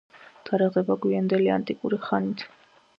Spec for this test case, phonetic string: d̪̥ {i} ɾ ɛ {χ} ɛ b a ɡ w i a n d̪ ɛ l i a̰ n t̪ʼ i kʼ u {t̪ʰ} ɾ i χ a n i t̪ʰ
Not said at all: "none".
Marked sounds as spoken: a, ʁ, none

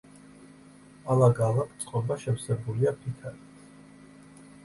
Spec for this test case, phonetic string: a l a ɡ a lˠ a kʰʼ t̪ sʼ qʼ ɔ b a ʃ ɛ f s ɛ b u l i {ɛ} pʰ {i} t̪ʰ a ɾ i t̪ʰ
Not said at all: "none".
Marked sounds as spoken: a, i

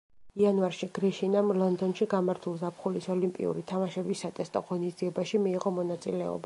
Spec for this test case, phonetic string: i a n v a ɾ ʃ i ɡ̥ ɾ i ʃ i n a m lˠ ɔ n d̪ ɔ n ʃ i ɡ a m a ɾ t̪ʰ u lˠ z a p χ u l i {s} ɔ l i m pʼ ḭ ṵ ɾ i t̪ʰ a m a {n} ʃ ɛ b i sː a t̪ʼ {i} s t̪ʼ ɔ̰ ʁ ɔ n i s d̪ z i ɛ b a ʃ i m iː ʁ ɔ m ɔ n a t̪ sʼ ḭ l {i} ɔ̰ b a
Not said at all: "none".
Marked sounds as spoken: s, none, ɛ, ɛ

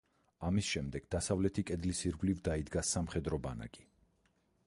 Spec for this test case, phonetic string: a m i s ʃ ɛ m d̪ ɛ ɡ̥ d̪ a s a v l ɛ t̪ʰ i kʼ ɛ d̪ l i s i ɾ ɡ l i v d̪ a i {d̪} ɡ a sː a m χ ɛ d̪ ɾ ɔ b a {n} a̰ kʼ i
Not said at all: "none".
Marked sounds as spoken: d̪, n

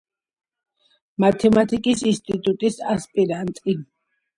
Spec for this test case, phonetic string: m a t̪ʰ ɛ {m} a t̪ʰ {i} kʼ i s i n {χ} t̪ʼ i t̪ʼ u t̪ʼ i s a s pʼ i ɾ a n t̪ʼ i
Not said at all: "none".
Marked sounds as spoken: m, i, s

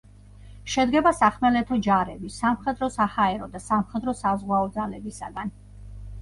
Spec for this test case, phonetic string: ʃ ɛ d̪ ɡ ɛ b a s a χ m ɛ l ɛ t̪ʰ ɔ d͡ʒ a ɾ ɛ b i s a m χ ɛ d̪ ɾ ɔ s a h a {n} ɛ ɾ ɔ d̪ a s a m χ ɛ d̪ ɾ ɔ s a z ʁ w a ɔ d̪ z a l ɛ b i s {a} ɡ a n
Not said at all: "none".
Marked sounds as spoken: none, a

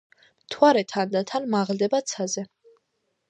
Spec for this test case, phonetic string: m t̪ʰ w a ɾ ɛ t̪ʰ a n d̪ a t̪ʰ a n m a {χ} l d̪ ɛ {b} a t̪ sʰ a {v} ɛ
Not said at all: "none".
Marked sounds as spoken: ʁ, b, z

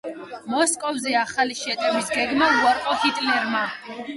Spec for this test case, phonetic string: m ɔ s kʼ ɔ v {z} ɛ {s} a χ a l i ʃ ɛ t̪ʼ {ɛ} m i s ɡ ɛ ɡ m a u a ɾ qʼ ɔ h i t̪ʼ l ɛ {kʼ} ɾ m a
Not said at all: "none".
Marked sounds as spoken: z, none, ɛ, none

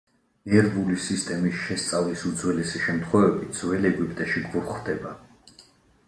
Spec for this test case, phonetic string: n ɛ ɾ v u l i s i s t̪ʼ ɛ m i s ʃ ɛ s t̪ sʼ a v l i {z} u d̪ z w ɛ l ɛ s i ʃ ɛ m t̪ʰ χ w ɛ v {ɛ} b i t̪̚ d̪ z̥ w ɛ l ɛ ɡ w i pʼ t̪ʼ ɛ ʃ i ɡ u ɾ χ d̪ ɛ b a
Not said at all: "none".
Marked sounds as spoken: s, ɛ

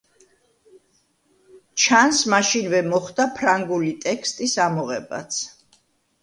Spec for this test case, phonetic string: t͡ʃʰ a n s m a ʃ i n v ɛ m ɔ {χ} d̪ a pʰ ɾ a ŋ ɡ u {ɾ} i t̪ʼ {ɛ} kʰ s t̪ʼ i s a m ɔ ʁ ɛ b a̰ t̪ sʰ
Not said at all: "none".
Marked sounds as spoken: χ, l, ɛ

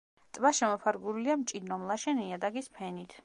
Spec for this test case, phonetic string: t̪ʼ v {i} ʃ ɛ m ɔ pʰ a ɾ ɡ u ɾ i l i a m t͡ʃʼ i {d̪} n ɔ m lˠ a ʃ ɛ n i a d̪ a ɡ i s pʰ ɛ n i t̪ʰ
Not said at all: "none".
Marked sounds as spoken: a, d̪

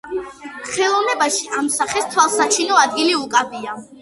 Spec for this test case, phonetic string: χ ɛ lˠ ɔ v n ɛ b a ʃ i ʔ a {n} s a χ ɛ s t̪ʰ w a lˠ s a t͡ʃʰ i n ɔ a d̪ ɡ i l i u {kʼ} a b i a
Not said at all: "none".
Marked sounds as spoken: m, kʼ

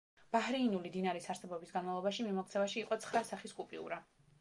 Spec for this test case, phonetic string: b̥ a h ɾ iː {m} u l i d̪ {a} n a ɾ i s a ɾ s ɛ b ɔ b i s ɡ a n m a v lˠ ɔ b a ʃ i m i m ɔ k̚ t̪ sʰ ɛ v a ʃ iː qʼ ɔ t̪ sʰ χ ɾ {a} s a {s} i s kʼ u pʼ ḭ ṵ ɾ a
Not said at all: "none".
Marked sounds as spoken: n, i, a, χ

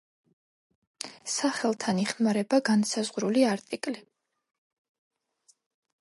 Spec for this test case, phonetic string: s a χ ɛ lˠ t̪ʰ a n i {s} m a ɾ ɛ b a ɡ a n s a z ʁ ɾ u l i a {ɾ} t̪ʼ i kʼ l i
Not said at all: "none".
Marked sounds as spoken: χ, ɾ

